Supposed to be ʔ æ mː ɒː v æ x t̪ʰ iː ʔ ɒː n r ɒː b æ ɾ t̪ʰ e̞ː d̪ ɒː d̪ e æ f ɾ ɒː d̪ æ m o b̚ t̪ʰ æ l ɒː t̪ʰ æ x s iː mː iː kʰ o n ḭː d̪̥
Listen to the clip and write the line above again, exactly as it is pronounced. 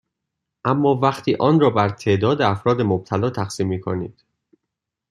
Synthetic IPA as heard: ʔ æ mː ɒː v æ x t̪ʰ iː ʔ ɒː n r ɒː b æ ɾ t̪ʰ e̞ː d̪ ɒː d̪ e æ f ɾ ɒː d̪ e m o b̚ t̪ʰ æ l ɒː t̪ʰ æ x s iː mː iː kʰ o n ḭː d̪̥